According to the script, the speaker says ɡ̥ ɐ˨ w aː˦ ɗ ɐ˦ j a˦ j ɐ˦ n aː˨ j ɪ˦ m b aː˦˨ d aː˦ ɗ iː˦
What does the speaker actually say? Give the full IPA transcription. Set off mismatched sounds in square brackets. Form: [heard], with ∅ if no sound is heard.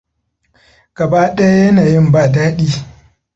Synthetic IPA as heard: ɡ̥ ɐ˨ [b] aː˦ ɗ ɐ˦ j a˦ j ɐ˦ n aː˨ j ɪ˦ m b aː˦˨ d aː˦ ɗ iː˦

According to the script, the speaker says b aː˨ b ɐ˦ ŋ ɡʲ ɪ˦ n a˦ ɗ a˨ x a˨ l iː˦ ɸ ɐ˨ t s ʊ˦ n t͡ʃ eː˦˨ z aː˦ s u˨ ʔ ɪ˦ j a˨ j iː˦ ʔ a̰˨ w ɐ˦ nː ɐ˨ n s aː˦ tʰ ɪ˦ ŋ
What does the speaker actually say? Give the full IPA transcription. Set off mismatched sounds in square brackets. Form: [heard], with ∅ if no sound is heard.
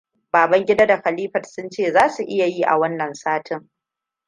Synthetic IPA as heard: b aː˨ b ɐ˦ ŋ ɡʲ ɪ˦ [d] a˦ [d] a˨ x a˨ l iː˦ ɸ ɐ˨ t s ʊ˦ n t͡ʃ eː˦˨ z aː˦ s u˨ ʔ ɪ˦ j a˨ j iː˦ ʔ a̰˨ w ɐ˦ nː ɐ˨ n s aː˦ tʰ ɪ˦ ŋ

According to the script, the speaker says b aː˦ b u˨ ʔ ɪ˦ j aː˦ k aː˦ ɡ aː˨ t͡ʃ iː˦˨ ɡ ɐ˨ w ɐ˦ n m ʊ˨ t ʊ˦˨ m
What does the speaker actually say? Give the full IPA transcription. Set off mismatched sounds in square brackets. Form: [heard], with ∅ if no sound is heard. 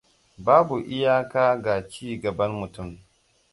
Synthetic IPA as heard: b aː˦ b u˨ ʔ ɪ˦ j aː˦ k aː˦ ɡ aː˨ t͡ʃ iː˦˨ ɡ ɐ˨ [b] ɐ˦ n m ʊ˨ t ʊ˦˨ m

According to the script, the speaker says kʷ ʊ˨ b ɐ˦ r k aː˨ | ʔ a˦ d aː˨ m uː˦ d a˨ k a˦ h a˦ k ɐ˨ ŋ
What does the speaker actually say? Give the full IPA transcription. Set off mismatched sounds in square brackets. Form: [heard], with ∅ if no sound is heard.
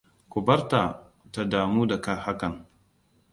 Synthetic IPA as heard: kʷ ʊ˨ b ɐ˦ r [t] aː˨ | [t] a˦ d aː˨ m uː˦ d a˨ k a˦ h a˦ k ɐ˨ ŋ

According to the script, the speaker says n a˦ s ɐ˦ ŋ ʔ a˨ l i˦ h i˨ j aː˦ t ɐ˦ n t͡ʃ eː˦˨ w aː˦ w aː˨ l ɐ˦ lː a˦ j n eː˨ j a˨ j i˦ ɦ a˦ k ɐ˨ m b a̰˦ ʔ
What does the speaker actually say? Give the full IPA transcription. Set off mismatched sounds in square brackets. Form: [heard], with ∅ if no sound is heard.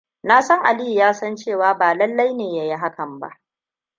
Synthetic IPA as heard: n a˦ s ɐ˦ ŋ ʔ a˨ l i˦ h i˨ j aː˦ [s] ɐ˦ n t͡ʃ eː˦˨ w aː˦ [b] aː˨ l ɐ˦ lː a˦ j n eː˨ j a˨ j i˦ ɦ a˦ k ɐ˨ m b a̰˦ ʔ

